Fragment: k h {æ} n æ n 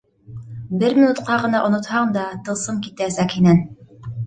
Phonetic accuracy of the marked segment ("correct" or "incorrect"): incorrect